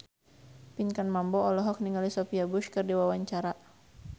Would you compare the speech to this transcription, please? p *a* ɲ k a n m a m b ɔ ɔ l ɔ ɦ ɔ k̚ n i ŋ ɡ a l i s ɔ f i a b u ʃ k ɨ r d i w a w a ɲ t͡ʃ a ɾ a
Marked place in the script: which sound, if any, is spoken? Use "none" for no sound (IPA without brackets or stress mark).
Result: i